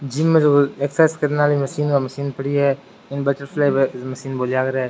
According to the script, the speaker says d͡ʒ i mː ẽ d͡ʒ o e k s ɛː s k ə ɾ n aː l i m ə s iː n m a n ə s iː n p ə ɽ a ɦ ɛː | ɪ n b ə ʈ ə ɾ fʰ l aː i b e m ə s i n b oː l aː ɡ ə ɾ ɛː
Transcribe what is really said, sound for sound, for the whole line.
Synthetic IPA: d͡ʒ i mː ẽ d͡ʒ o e k s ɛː s k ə ɾ n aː l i m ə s iː n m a m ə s iː n p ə ɽ i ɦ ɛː | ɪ n b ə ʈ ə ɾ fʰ l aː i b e m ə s iː n b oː l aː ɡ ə ɾ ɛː